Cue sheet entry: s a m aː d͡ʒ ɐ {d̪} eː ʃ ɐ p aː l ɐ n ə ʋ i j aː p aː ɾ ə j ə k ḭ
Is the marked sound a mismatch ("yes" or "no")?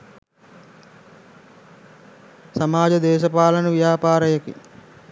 no